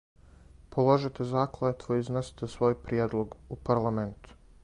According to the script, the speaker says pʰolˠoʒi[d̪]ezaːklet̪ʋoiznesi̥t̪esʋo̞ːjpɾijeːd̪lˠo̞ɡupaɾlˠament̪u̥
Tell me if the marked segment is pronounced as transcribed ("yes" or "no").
no